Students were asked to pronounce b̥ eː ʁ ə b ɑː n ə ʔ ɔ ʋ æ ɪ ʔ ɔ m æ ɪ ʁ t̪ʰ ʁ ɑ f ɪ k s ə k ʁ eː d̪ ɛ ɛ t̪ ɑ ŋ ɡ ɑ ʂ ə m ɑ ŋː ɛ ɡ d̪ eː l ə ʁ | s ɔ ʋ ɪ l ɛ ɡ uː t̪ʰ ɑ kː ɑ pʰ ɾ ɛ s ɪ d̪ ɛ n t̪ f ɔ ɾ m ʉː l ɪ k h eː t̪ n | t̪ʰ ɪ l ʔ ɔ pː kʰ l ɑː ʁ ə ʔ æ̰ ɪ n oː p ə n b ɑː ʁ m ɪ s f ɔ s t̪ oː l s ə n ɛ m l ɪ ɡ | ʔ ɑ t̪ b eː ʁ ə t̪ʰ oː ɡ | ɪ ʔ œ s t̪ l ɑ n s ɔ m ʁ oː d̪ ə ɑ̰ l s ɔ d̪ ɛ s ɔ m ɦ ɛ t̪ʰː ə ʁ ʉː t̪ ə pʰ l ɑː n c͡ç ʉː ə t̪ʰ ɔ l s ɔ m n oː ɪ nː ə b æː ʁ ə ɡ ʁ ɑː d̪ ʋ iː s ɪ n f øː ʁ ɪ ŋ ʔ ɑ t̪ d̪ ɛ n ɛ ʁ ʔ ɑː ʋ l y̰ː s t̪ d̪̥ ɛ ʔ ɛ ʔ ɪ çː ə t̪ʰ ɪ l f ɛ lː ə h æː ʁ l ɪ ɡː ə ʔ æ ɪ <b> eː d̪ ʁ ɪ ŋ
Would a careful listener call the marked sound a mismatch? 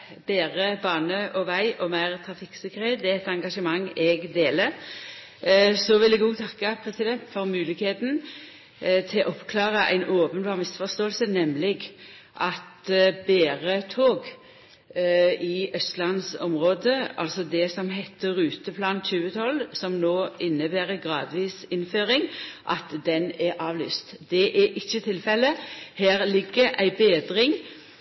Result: no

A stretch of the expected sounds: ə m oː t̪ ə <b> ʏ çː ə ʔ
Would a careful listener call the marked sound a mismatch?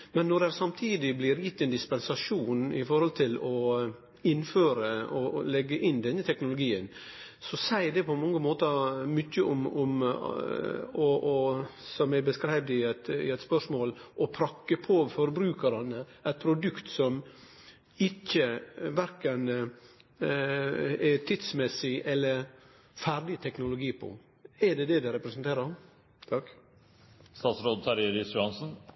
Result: yes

